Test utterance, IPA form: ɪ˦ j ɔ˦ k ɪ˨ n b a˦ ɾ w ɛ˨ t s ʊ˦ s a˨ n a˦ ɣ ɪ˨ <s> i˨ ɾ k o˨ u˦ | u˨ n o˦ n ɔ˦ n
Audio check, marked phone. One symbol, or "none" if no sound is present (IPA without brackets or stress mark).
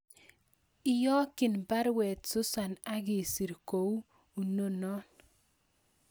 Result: s